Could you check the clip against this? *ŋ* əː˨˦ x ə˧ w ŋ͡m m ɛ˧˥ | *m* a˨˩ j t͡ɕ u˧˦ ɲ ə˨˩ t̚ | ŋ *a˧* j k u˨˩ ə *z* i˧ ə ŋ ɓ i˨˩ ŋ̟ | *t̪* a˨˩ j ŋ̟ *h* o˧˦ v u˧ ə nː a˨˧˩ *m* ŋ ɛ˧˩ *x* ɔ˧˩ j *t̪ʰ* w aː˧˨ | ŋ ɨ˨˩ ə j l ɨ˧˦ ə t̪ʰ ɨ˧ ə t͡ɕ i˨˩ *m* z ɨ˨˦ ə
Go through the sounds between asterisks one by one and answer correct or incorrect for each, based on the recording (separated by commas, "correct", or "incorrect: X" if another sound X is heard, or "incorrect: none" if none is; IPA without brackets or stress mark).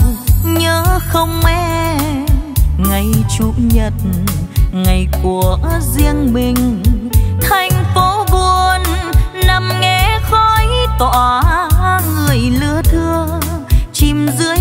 incorrect: ɲ, incorrect: ŋ, incorrect: a˨˩, correct, incorrect: t̪ʰ, incorrect: f, correct, correct, incorrect: t̪, correct